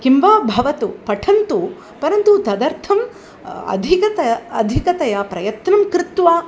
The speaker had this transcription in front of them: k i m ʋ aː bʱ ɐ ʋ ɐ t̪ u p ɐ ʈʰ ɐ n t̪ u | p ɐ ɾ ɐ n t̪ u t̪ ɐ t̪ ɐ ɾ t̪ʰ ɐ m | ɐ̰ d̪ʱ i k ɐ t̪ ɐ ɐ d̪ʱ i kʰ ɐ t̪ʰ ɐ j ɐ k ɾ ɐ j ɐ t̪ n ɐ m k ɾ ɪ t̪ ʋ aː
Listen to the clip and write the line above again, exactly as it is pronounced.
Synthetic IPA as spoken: k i m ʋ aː bʱ ɐ ʋ ɐ t̪ u p ɐ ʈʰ ɐ n t̪ u | p ɐ ɾ ɐ n t̪ u t̪ ɐ d̪ ɐ ɾ t̪ʰ ɐ m | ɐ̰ d̪ʱ i k ɐ t̪ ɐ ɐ d̪ʱ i k ɐ t̪ ɐ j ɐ p ɾ ɐ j ɐ t̪ n ɐ m k ɾ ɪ t̪ ʋ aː